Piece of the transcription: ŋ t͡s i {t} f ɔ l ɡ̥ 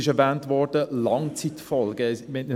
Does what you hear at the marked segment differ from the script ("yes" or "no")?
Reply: no